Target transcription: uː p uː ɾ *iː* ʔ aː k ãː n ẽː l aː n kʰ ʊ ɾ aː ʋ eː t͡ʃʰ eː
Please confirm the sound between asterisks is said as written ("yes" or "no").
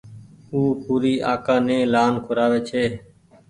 yes